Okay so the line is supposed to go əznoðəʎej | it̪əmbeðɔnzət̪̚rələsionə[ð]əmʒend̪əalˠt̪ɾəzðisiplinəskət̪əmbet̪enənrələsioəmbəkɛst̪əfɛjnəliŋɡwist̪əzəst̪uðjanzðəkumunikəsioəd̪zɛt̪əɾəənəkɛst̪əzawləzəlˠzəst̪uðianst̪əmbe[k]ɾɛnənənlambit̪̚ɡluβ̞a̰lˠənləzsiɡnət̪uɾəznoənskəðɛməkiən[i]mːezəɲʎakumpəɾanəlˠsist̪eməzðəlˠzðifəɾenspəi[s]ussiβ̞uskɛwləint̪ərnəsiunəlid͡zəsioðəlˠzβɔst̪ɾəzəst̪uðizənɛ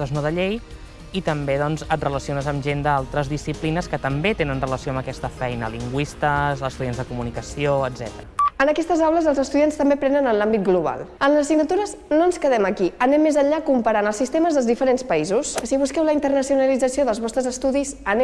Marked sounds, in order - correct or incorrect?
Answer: incorrect: z, incorrect: p, incorrect: ɛ, incorrect: z

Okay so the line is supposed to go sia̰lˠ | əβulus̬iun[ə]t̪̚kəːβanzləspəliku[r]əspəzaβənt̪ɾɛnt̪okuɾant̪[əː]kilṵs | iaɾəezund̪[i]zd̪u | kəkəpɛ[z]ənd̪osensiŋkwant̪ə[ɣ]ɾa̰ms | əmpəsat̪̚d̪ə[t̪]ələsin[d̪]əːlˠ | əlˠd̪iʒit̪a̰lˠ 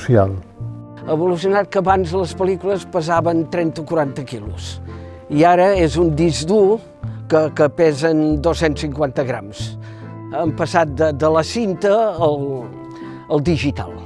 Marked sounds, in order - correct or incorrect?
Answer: incorrect: a, incorrect: l, incorrect: ə, correct, correct, correct, incorrect: d̪, incorrect: t̪

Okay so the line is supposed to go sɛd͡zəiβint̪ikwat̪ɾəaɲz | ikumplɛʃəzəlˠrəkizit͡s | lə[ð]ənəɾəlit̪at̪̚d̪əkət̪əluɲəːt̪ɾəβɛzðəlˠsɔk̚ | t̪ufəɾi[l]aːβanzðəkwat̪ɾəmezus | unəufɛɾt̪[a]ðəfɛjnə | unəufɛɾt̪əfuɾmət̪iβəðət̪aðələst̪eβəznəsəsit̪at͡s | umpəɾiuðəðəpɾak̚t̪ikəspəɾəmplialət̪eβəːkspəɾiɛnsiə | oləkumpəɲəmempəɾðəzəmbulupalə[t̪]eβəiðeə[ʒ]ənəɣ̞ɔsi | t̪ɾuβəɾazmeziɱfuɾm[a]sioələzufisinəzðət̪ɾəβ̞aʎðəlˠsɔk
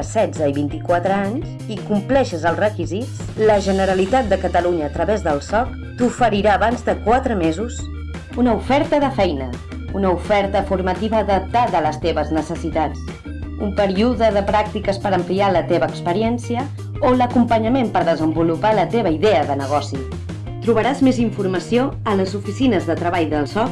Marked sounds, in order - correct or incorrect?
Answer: incorrect: ʒ, incorrect: ɾ, incorrect: ə, correct, incorrect: ð, incorrect: ə

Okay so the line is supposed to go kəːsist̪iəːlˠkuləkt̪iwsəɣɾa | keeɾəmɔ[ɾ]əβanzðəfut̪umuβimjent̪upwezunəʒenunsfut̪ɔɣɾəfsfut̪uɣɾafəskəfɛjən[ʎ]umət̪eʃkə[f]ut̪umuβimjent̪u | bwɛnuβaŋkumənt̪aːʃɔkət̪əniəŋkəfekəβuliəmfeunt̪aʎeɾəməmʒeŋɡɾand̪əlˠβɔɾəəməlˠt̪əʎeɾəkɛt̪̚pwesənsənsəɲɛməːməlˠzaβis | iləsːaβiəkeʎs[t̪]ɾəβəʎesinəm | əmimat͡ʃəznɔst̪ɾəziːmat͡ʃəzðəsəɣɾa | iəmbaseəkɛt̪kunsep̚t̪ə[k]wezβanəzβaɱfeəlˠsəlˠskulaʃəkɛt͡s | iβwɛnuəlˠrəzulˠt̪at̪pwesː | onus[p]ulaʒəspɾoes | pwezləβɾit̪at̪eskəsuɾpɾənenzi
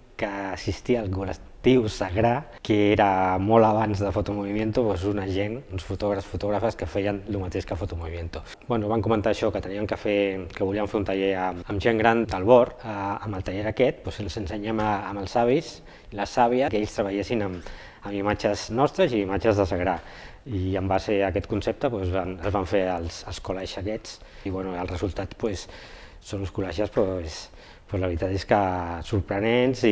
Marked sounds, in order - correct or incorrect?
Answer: incorrect: l, incorrect: l, correct, correct, incorrect: p, incorrect: k

